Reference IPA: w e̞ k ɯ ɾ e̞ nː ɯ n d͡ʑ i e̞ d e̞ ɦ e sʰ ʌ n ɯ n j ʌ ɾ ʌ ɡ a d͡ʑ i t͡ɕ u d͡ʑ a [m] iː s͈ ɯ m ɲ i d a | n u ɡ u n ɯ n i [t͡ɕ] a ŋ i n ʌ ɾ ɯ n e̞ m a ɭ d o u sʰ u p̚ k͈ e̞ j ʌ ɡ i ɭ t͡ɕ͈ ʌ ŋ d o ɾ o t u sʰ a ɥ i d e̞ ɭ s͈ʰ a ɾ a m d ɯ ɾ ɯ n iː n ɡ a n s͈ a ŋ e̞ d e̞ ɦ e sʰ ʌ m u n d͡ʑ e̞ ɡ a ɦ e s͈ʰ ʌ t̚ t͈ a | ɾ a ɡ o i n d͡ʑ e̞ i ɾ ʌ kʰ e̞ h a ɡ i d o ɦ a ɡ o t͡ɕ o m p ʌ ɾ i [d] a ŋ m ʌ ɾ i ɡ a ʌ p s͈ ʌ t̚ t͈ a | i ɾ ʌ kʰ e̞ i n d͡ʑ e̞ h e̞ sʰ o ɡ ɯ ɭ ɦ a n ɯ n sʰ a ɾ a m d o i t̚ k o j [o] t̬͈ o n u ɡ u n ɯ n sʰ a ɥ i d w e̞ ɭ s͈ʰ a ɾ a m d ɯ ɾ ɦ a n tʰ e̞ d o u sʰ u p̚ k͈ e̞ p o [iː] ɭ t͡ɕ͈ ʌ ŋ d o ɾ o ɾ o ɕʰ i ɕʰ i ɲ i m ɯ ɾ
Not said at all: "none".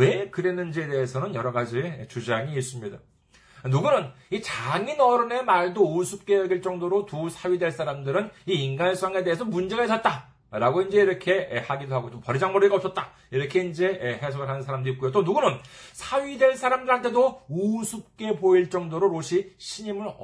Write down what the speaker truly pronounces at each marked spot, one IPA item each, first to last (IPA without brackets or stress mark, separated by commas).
ŋ, t͡ɕ, d͡ʑ, o, i